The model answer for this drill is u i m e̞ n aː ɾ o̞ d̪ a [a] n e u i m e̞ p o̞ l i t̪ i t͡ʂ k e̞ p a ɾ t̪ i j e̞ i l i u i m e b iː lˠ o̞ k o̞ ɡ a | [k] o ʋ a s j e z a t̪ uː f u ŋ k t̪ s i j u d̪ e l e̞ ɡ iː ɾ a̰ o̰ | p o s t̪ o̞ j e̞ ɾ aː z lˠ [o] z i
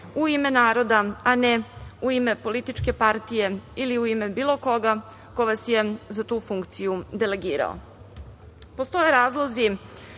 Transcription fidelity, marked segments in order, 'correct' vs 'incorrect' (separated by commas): correct, correct, correct